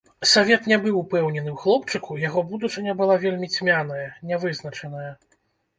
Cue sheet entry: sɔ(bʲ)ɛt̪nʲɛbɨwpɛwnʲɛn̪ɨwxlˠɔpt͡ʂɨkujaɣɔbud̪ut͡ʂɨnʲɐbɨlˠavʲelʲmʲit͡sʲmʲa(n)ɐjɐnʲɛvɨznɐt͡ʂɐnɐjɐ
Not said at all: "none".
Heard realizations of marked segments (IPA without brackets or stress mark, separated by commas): vʲ, n